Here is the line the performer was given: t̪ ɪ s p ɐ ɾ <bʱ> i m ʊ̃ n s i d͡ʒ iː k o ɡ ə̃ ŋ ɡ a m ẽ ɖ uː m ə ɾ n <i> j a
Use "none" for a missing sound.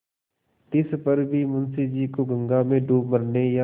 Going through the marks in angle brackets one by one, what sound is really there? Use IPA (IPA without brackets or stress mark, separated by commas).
bʱ, e